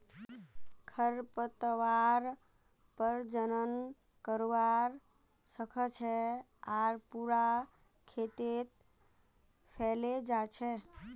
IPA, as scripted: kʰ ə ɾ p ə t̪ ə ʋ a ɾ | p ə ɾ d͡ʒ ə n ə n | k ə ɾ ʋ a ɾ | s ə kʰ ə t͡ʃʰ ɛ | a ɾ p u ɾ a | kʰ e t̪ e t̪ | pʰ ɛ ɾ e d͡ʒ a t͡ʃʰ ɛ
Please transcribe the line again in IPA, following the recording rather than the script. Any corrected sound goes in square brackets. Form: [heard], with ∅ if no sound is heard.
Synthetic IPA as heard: kʰ ə ɾ p ə t̪ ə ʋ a ɾ | p ə ɾ d͡ʒ ə n ə n | k ə ɾ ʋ a ɾ | s ə kʰ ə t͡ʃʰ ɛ | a ɾ p u ɾ a | kʰ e t̪ e t̪ | pʰ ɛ [l] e d͡ʒ a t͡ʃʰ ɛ